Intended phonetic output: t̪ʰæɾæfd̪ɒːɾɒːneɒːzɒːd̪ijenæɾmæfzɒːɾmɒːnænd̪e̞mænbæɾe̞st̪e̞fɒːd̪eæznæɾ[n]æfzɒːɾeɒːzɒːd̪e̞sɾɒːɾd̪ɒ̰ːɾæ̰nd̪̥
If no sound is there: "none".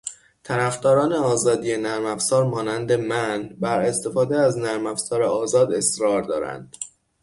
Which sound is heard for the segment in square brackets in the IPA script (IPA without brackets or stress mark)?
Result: m